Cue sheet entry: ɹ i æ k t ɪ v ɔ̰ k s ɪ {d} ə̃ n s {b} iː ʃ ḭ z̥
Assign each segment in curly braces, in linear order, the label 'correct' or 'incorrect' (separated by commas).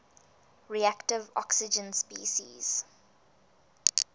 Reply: incorrect, incorrect